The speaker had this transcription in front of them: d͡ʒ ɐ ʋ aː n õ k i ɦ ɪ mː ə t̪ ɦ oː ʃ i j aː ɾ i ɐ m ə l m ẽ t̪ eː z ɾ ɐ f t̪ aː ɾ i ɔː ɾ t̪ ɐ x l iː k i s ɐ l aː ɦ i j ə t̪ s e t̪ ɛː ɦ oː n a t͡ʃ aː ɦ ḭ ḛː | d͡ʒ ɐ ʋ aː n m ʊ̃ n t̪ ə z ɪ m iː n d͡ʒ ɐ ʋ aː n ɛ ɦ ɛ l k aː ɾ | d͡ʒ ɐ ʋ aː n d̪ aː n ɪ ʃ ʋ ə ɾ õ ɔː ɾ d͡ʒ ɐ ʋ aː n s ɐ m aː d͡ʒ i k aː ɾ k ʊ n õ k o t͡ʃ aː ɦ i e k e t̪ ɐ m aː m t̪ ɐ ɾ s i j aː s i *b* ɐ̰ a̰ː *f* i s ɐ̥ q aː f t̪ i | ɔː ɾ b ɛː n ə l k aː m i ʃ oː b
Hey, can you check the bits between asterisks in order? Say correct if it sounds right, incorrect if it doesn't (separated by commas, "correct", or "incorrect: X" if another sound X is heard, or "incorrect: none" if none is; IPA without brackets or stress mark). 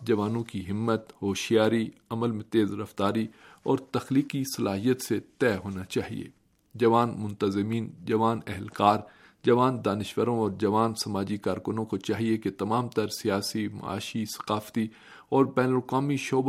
incorrect: m, incorrect: ʃ